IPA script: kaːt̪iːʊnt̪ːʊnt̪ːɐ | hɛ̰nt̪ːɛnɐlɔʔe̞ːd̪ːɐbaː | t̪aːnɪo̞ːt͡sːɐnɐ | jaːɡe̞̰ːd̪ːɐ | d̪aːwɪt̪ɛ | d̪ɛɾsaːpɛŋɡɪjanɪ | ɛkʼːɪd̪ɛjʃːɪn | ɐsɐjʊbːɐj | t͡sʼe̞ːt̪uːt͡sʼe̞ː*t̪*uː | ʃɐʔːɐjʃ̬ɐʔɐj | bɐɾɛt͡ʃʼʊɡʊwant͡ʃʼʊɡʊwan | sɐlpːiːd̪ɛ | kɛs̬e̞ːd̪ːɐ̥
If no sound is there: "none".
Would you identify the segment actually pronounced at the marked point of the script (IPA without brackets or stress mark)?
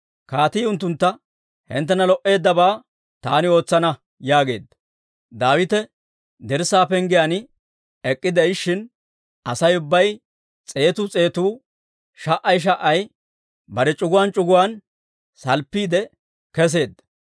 t̪